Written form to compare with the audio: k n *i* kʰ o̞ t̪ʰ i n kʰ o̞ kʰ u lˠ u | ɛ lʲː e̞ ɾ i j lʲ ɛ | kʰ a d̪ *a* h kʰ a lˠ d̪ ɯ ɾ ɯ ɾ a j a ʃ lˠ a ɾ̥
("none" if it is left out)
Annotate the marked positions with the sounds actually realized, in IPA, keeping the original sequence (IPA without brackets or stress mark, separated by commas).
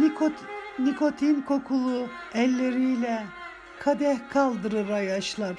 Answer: i, ɛ